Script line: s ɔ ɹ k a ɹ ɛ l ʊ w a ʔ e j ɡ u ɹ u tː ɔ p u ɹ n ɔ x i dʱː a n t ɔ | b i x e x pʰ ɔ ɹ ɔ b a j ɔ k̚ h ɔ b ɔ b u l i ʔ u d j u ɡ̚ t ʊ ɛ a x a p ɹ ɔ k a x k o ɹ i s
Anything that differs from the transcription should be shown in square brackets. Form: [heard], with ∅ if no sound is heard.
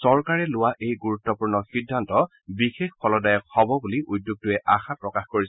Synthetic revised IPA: s ɔ ɹ k a ɹ ɛ l ʊ w a ʔ e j ɡ u ɹ u tː ɔ p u ɹ n ɔ x i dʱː a n t ɔ | b i x e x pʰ ɔ [l] ɔ [d] a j ɔ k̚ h ɔ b ɔ b u l i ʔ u d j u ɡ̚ t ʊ ɛ a x a p ɹ ɔ k a x k o ɹ i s